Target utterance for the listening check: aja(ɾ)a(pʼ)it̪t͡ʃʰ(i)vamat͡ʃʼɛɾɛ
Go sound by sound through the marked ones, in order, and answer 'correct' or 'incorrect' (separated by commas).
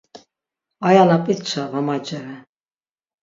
incorrect, correct, incorrect